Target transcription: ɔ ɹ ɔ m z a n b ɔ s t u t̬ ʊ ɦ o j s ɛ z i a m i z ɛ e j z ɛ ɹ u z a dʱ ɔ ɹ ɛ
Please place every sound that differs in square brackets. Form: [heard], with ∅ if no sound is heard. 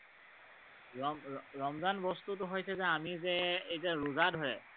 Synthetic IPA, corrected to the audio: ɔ ɹ ɔ m z a n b ɔ s t u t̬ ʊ ɦ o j s ɛ z [ɛ] a m i z ɛ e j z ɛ ɹ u z a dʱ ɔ ɹ ɛ